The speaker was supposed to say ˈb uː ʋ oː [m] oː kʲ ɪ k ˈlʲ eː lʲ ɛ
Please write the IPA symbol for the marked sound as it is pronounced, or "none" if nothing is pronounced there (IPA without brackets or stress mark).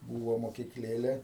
m